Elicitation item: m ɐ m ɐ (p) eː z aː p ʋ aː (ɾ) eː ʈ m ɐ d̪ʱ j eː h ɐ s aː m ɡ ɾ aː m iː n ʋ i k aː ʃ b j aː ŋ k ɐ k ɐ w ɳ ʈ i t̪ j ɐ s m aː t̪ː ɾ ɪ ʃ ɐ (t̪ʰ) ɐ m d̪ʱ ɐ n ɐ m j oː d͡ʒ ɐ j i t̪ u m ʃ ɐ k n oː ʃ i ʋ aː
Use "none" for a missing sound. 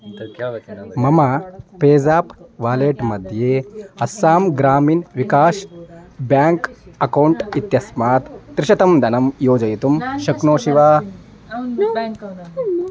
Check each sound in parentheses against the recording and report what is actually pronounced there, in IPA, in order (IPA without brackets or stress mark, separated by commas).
p, l, t̪